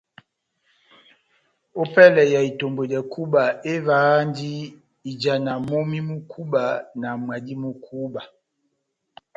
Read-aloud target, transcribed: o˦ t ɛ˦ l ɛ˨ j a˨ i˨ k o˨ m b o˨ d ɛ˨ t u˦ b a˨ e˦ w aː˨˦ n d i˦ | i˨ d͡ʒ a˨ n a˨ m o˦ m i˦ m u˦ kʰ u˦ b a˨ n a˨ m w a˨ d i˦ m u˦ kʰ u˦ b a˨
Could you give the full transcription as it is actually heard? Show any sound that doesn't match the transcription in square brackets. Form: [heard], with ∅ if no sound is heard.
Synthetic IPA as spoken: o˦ [p] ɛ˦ l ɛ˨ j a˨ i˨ [t] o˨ m b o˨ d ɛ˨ [k] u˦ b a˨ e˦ [v] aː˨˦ n d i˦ | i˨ d͡ʒ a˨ n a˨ m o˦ m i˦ m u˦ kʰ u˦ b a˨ n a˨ m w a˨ d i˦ m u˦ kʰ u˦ b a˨